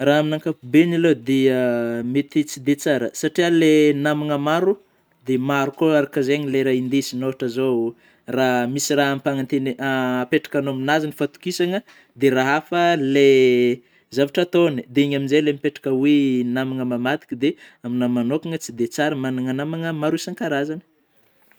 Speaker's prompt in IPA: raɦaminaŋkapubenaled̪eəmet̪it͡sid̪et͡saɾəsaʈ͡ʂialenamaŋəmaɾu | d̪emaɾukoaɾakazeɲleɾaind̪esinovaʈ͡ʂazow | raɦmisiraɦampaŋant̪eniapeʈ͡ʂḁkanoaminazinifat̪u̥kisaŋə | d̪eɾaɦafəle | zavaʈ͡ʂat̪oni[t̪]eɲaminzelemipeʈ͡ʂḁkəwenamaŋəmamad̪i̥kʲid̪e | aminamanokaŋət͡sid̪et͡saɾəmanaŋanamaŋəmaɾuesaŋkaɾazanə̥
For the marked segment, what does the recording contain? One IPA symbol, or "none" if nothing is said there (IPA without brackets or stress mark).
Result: d̪